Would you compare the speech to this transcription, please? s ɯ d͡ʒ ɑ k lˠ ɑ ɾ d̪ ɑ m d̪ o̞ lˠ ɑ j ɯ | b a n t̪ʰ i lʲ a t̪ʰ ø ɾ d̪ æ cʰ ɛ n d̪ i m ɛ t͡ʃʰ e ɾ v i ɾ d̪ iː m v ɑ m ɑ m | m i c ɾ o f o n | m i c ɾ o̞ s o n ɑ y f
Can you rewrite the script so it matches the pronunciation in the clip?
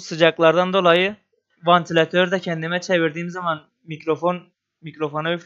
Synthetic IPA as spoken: s ɯ d͡ʒ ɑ k lˠ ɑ ɾ d̪ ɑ n d̪ o̞ lˠ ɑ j ɯ | v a n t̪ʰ i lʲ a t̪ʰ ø ɾ d̪ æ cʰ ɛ n d̪ i m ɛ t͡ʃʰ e v i ɾ d̪ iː m z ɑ m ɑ n | m i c ɾ o f o n | m i c ɾ o̞ f o n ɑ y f